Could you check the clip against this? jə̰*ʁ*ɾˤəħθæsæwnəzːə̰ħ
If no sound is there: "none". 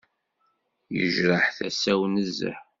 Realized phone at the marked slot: ʒ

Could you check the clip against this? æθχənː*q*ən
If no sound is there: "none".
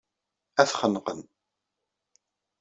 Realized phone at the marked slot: q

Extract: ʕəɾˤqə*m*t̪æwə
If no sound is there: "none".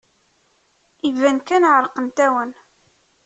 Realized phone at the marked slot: n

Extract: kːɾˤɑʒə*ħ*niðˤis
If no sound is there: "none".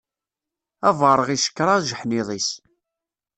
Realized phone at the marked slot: ħ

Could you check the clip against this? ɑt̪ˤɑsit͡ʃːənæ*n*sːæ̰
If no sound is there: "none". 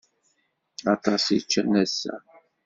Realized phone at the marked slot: none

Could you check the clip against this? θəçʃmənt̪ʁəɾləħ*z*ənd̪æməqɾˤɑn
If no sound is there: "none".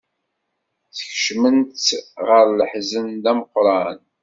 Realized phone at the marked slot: z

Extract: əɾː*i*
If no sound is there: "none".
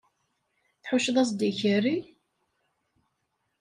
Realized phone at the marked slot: i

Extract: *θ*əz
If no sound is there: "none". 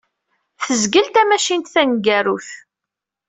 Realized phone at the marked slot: θ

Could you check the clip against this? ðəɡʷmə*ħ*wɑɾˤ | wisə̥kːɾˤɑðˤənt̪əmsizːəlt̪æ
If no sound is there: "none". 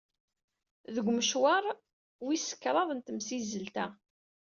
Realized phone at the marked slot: ʃ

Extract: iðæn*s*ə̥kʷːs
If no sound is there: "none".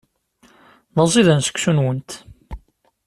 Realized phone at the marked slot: s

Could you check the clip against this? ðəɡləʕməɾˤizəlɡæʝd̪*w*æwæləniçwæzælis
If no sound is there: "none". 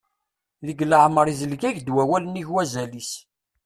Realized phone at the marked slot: w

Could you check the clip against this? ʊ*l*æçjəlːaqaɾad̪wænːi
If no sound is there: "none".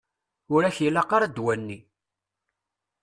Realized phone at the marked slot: ɾ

